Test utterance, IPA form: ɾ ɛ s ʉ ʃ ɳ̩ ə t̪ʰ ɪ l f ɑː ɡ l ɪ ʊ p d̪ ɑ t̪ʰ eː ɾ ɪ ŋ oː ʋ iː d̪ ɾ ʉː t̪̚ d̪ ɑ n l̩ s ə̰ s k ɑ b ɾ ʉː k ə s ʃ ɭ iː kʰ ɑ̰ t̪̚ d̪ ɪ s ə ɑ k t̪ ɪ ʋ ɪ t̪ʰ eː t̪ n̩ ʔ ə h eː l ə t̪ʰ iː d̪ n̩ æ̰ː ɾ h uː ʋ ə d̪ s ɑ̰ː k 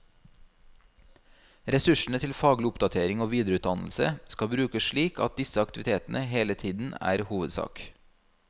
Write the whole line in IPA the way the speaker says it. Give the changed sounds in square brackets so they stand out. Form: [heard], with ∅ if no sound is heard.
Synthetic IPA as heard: ɾ ɛ s ʉ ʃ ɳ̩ ə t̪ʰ ɪ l f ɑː ɡ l ɪ ʊ p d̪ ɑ t̪ʰ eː ɾ ɪ ŋ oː ʋ iː d̪ ɾ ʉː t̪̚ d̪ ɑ n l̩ s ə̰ s k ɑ b ɾ ʉː k ə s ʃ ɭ iː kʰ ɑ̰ t̪̚ d̪ ɪ s ə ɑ k t̪ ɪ ʋ ɪ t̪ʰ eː t̪ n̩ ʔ ə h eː l ə t̪ʰ iː d̪ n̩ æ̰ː ɾ h uː ʋ ə d̪ s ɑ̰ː k